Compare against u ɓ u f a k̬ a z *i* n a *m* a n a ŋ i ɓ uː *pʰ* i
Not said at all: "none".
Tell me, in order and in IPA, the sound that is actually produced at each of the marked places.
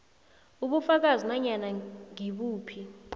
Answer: i, ɲ, pʰ

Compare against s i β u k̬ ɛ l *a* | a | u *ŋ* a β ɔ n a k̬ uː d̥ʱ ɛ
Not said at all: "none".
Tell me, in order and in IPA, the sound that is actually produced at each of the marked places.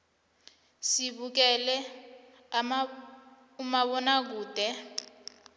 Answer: ɛ, m

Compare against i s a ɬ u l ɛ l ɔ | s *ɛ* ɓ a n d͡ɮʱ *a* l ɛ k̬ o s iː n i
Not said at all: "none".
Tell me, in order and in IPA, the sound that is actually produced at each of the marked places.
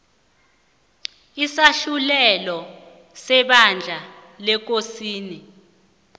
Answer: ɛ, a

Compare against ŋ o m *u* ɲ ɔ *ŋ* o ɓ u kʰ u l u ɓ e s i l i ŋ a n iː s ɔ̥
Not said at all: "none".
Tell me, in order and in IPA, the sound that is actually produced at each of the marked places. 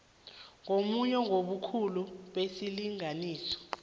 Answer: u, ŋ

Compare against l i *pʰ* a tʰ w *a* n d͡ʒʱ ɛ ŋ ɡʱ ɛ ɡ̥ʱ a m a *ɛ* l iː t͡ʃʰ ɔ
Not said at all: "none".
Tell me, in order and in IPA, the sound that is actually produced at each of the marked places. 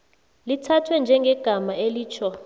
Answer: tʰ, ɛ, e

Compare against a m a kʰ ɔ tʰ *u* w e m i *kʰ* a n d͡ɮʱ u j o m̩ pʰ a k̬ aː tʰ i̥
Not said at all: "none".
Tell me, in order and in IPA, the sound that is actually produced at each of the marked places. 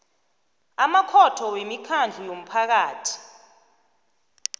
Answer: ɔ, kʰ

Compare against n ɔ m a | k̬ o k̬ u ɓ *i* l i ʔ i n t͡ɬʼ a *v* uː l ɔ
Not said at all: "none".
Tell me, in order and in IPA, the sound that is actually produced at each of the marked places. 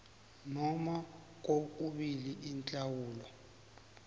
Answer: i, w

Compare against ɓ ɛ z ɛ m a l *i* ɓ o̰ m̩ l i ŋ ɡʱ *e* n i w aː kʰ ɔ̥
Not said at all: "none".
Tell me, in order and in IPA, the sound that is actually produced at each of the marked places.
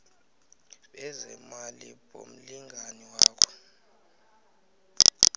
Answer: i, a

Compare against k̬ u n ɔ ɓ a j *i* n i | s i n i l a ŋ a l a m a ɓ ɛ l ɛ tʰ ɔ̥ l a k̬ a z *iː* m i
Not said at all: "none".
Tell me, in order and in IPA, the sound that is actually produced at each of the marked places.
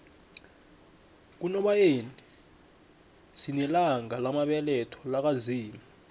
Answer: e, iː

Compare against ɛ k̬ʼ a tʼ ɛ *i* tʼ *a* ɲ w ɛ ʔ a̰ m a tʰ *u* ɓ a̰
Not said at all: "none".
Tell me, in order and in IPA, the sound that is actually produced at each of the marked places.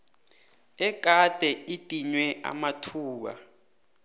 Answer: i, i, uː

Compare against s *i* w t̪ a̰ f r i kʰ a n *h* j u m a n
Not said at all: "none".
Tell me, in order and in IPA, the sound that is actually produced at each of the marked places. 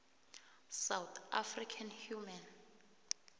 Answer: a, h

